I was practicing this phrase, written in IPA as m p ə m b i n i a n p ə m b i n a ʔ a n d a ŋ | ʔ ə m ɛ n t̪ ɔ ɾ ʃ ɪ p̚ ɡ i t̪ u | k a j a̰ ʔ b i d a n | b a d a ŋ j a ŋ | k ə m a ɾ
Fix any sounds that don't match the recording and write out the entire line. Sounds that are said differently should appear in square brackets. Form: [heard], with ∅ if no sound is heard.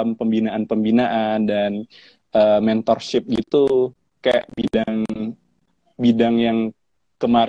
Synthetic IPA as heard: m p ə m b i n [a] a n p ə m b i n a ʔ a n d a [n] | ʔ ə m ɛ n t̪ ɔ [r] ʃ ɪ p̚ ɡ i t̪ u | k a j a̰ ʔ b i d a [ŋ] | b [i] d a ŋ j a ŋ | k ə m a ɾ